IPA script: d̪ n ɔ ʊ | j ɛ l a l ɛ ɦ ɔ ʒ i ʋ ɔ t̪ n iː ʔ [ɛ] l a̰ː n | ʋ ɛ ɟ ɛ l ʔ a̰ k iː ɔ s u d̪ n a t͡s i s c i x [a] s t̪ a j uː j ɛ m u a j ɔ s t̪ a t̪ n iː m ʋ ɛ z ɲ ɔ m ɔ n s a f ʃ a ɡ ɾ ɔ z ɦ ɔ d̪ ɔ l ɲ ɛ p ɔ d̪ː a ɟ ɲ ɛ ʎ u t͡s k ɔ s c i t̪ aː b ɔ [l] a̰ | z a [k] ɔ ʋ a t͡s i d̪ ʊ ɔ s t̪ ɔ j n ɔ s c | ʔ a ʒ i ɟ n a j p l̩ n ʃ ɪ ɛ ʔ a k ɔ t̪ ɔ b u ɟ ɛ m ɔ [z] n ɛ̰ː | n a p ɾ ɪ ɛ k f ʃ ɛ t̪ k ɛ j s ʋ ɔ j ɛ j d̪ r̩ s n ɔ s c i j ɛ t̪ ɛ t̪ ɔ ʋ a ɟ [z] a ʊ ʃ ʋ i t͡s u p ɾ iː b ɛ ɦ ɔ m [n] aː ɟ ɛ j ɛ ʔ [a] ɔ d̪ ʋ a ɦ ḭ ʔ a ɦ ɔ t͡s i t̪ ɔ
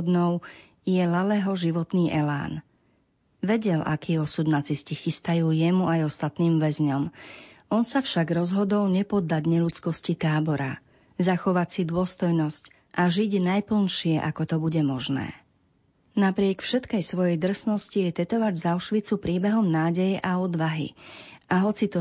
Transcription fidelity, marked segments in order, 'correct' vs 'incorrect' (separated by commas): correct, incorrect, incorrect, incorrect, incorrect, correct, correct, correct